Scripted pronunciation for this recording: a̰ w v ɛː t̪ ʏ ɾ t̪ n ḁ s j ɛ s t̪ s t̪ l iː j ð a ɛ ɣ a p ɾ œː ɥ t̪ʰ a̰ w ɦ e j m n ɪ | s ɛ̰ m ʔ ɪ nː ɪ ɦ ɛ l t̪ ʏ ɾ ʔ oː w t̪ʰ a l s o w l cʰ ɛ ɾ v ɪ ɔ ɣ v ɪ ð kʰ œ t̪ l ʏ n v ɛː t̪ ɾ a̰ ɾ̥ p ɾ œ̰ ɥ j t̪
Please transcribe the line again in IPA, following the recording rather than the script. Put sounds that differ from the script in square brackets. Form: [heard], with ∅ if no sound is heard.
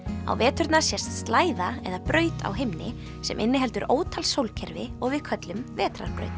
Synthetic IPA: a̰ w v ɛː t̪ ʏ ɾ t̪ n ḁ s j ɛ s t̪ s t̪ l [aː] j ð a ɛ [ð] a p ɾ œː ɥ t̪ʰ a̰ w ɦ e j m n ɪ | s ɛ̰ m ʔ ɪ nː ɪ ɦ ɛ l t̪ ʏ ɾ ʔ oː w t̪ʰ a l s o w l cʰ ɛ ɾ v ɪ ɔ ɣ v ɪ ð kʰ œ t̪ l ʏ [m] v ɛː t̪ ɾ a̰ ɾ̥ p ɾ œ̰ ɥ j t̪